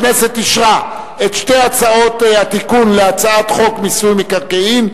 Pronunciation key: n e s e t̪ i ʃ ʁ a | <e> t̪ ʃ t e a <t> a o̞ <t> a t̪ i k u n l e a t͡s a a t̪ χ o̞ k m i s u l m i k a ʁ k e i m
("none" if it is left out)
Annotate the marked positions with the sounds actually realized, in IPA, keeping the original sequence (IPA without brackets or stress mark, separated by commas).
e, t͡s, t